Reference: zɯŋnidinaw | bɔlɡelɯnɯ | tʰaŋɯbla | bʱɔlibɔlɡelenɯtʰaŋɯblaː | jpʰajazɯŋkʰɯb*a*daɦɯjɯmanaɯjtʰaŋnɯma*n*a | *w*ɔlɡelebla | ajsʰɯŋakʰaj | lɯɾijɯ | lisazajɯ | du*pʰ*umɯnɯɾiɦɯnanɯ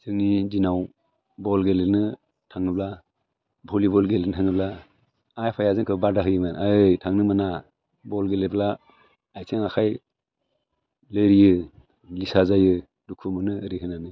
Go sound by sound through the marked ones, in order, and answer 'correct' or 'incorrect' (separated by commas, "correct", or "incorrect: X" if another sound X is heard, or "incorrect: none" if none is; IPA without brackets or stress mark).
correct, correct, incorrect: b, incorrect: kʰ